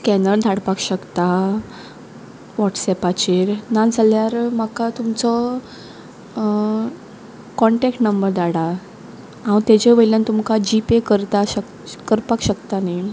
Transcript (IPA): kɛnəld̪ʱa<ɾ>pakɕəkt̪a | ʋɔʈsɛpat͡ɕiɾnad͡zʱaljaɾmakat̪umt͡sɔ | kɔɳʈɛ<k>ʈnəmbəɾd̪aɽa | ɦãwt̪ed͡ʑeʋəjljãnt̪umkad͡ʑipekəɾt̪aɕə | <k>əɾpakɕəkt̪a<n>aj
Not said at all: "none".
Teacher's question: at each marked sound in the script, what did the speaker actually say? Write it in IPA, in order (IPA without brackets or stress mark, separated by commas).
ɽ, k, k, n